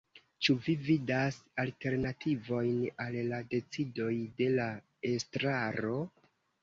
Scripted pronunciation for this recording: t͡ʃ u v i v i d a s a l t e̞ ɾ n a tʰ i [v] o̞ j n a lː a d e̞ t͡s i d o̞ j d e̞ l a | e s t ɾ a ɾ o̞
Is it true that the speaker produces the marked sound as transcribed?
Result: yes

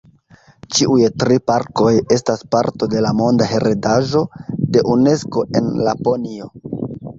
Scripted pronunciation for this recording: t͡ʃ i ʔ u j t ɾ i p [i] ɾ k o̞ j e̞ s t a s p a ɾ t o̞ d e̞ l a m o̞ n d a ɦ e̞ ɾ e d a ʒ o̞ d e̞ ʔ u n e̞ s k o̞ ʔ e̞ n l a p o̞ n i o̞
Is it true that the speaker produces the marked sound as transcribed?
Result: no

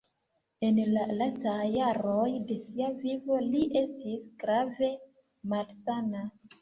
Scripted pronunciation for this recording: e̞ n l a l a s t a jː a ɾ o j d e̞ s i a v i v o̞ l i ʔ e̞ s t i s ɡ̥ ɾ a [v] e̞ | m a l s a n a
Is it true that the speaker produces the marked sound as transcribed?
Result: yes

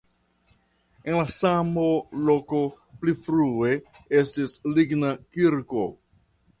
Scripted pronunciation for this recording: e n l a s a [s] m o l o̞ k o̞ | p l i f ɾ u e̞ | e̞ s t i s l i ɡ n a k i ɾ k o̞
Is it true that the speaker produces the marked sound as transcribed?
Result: no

